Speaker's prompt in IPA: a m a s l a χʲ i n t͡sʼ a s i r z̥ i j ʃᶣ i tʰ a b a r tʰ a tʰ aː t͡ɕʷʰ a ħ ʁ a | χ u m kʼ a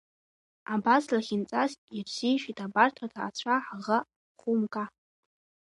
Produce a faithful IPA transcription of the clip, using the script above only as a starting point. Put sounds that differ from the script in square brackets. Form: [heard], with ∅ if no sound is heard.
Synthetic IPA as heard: a [b] a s l a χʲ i n t͡sʼ a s i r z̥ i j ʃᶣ i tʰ a b a r tʰ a tʰ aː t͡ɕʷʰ a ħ ʁ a | χ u m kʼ a